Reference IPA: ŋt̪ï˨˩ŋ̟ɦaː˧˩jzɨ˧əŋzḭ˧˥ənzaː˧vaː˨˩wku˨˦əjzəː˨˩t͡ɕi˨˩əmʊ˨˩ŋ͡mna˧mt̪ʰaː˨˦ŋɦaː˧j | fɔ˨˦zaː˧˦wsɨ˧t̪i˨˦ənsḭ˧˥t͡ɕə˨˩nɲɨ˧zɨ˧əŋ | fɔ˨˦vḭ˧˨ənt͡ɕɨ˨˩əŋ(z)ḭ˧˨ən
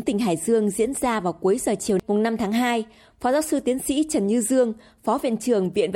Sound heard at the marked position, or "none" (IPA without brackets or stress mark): v